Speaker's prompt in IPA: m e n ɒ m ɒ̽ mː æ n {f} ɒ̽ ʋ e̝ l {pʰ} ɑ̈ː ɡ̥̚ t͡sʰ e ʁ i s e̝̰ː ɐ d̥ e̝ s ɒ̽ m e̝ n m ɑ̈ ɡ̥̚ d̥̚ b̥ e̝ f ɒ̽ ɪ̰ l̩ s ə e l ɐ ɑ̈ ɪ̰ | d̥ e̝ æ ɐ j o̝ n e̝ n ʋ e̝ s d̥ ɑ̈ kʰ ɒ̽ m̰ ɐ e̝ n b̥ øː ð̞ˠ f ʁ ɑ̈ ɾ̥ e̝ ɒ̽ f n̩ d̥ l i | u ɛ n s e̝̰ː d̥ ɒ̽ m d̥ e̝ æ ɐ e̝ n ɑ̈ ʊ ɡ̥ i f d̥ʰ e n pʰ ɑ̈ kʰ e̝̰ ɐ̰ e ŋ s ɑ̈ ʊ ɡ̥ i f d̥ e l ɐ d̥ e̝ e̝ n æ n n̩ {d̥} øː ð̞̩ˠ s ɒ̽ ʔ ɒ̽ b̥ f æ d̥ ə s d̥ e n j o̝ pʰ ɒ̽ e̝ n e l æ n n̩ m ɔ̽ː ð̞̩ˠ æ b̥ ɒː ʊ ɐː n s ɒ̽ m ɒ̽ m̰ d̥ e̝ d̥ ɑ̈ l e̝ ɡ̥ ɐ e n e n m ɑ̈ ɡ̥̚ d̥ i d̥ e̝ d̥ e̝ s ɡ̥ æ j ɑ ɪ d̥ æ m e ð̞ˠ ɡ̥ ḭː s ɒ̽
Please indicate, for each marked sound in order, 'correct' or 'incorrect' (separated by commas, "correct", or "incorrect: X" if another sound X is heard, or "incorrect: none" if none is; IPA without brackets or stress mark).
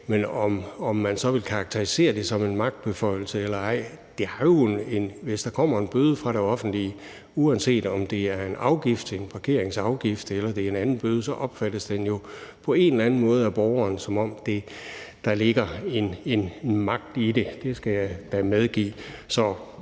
incorrect: s, incorrect: kʰ, incorrect: b̥